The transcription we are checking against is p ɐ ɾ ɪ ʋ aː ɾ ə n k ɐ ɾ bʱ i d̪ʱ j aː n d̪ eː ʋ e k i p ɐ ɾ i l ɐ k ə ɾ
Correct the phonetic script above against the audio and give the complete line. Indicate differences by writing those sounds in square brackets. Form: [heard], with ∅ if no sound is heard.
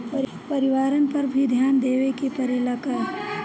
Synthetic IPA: p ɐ ɾ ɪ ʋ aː ɾ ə n [p] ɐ ɾ bʱ i d̪ʱ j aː n d̪ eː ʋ e k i p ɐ ɾ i l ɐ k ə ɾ